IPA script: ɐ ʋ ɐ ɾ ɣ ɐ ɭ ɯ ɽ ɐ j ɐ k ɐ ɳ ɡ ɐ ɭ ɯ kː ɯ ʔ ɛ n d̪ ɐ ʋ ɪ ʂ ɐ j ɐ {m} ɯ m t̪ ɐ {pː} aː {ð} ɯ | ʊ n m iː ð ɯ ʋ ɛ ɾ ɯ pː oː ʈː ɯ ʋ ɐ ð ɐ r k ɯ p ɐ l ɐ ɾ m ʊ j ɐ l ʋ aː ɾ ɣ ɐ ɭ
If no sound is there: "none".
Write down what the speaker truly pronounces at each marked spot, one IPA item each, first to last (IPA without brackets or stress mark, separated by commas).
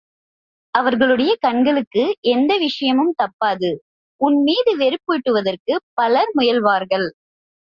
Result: m, pː, ð